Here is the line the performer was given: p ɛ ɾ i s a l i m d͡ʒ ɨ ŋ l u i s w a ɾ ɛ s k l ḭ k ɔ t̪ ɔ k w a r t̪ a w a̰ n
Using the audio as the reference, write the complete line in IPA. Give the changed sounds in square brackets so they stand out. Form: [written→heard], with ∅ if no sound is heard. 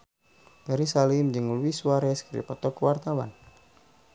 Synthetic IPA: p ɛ ɾ i s a l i m d͡ʒ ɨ ŋ l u i s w a ɾ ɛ s k [l→ɾ] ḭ [k→p] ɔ t̪ ɔ k w a r t̪ a w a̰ n

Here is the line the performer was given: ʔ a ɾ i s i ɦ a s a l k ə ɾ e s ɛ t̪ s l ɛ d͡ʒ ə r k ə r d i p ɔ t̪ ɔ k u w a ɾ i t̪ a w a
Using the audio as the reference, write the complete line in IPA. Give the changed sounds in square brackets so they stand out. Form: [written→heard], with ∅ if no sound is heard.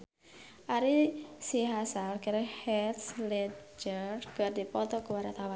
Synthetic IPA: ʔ a ɾ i s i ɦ a s a l k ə ɾ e [s→h] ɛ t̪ s l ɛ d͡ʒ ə r k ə r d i p ɔ t̪ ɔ k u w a ɾ [i→a] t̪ a w a

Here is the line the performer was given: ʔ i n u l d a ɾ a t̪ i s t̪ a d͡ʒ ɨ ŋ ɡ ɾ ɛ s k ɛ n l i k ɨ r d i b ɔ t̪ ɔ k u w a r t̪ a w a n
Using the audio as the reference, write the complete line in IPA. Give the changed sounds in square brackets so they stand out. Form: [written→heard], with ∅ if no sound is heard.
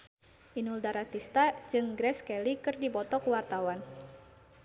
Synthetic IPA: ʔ i n u l d a ɾ a t̪ i s t̪ a d͡ʒ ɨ ŋ ɡ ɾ ɛ s k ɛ [n→∅] l i k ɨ r d i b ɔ t̪ ɔ k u w a r t̪ a w a n

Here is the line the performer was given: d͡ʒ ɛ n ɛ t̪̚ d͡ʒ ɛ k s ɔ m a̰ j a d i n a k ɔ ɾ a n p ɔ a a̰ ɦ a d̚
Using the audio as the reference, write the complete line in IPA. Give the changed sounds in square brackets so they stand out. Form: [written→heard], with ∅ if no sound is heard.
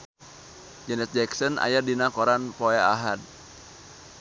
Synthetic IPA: d͡ʒ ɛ n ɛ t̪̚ d͡ʒ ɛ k s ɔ [m→n] a̰ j a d i n a k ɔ ɾ a n p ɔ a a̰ ɦ a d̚

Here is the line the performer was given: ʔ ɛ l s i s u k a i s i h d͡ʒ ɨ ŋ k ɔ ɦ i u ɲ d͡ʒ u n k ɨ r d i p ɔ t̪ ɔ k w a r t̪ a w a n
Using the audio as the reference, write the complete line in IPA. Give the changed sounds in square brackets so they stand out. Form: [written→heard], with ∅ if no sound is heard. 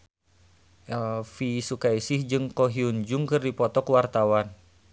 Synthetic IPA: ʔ ɛ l [s→f] i s u k a i s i h d͡ʒ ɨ ŋ k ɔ ɦ i u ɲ d͡ʒ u [n→ŋ] k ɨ r d i p ɔ t̪ ɔ k w a r t̪ a w a n

